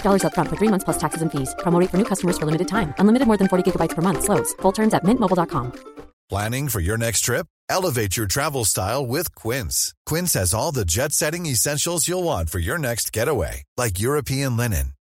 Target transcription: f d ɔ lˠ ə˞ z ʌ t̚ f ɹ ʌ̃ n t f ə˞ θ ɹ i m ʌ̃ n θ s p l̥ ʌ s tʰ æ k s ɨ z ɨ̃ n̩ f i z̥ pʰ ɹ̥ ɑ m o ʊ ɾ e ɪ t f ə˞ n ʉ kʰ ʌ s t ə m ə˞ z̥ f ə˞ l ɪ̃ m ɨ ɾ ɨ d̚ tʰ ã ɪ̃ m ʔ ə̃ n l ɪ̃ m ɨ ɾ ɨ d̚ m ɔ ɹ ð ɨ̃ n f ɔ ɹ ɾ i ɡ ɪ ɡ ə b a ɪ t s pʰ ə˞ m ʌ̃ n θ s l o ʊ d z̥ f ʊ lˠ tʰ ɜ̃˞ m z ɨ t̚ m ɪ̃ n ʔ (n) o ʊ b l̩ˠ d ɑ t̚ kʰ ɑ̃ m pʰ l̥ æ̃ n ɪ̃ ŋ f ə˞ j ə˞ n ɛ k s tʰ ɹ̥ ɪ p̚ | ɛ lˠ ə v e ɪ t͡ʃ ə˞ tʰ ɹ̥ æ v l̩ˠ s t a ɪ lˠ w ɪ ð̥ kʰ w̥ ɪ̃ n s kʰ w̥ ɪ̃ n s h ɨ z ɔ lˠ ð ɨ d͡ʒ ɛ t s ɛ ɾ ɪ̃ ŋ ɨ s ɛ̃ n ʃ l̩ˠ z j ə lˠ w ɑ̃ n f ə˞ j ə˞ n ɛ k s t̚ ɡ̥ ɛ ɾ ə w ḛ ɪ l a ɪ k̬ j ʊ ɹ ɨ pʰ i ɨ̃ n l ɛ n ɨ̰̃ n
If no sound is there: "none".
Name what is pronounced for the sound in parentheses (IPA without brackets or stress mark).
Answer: m